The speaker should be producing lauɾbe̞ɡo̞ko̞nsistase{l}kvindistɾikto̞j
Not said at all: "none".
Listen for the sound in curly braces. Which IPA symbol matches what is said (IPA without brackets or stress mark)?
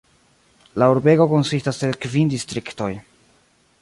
l